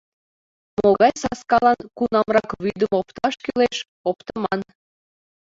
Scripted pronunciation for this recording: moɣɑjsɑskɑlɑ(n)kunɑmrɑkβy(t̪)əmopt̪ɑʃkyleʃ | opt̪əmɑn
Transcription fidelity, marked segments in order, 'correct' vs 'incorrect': correct, incorrect

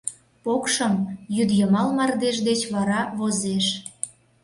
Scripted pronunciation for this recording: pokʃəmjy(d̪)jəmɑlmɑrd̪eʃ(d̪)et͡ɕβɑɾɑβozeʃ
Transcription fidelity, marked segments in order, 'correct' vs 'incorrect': correct, correct

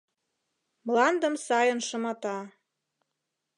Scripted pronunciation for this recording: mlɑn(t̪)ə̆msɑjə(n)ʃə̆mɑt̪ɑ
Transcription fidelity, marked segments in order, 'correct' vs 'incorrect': incorrect, correct

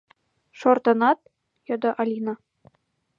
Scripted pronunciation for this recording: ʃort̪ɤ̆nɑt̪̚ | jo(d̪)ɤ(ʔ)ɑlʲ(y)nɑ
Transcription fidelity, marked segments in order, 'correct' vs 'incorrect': correct, correct, incorrect

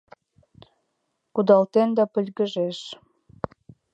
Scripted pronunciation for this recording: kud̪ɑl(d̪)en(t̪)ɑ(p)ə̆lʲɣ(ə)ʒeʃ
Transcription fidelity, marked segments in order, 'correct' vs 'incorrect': incorrect, incorrect, correct, correct

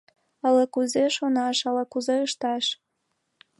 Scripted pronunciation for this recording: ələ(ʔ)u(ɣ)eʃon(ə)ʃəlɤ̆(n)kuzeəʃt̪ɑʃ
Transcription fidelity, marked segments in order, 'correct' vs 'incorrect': incorrect, incorrect, incorrect, incorrect

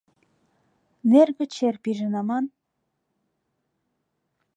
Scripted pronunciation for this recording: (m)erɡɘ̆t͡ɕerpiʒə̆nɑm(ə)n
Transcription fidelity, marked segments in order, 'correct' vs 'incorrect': incorrect, incorrect

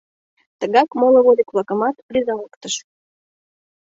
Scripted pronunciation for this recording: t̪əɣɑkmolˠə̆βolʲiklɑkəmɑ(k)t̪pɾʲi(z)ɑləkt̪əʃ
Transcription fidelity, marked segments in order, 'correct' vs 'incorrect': incorrect, correct

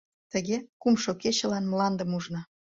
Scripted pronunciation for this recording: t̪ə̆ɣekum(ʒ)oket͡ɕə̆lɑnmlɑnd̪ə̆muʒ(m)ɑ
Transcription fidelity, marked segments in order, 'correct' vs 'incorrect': incorrect, incorrect

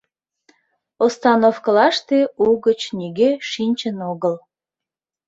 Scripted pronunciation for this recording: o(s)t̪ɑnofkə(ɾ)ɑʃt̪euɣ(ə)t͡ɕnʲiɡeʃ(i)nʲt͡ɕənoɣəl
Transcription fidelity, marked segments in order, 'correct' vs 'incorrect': correct, incorrect, correct, correct

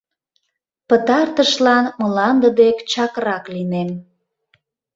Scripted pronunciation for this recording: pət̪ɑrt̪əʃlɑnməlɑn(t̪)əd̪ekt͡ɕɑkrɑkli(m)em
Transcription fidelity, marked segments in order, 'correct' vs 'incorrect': incorrect, incorrect

